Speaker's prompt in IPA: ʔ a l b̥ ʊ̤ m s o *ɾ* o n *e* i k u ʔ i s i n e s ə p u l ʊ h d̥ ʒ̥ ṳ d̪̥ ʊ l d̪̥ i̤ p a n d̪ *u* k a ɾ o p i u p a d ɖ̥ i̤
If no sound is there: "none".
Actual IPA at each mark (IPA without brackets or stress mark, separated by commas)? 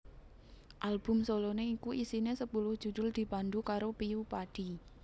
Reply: l, e, u